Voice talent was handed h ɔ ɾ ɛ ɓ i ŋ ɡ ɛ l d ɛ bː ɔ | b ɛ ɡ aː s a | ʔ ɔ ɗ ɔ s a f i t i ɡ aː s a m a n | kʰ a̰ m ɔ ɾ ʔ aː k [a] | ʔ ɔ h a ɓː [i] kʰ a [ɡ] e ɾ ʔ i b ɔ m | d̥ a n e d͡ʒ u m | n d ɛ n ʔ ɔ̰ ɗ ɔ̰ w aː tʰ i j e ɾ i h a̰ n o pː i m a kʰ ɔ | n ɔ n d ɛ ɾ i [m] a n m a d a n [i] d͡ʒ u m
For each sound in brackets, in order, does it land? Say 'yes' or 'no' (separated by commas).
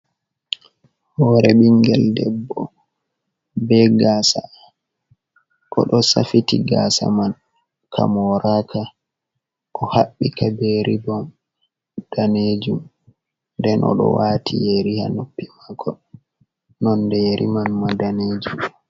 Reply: yes, yes, no, yes, no